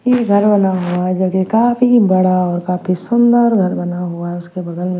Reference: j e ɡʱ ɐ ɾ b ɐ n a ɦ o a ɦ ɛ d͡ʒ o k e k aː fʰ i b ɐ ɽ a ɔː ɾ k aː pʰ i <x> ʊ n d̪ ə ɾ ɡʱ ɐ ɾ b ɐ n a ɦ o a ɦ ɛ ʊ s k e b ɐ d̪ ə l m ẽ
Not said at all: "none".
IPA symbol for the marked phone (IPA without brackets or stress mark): s